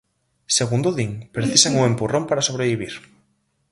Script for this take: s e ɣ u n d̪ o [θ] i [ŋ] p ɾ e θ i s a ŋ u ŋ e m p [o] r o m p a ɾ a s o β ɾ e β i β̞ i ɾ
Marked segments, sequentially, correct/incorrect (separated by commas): incorrect, correct, incorrect